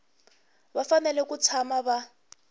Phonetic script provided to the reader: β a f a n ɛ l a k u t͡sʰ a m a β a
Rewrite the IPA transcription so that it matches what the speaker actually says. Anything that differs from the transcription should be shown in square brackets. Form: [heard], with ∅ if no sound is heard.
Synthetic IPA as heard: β a f a n ɛ l [ɛ] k u t͡sʰ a m a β a